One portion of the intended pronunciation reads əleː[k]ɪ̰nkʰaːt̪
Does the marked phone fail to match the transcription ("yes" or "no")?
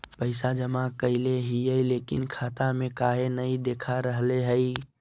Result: no